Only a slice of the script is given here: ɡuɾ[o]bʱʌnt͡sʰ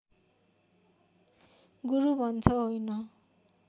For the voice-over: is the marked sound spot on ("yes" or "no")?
no